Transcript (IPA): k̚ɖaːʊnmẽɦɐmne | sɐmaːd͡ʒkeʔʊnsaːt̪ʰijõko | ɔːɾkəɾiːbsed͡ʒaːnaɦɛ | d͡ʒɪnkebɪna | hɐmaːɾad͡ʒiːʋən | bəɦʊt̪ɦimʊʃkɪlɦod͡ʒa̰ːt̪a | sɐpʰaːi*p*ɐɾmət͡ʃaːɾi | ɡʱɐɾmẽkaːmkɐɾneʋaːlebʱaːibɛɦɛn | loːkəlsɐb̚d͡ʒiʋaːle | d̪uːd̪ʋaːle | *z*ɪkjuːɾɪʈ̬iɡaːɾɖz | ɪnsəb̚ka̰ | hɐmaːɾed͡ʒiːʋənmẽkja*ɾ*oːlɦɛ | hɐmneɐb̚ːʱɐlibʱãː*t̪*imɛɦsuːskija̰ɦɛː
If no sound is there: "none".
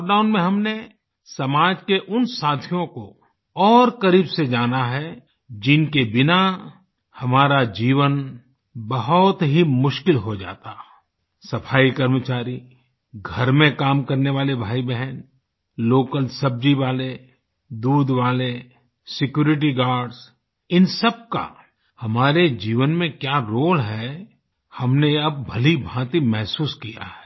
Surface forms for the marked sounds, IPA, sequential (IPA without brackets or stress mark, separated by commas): k, s, ɾ, t̪